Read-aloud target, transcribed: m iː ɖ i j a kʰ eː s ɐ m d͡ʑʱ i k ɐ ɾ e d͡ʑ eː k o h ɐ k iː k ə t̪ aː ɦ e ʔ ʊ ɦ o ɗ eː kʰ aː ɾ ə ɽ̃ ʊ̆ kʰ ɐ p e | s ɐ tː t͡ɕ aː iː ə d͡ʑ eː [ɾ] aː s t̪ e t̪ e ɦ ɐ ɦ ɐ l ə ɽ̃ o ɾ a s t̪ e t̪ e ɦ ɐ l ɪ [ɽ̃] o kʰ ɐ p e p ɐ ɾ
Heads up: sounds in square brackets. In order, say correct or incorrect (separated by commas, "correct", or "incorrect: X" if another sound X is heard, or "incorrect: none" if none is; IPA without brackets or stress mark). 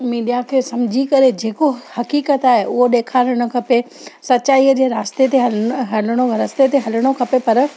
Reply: correct, correct